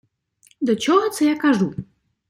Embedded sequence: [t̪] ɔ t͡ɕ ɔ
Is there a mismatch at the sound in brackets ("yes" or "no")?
yes